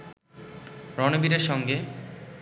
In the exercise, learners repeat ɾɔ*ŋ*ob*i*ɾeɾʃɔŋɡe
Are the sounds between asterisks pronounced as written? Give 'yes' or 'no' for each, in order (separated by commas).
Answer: no, yes